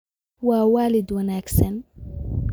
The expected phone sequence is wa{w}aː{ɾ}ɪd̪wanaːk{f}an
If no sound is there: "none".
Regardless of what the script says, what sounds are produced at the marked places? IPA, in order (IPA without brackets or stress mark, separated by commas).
w, l, s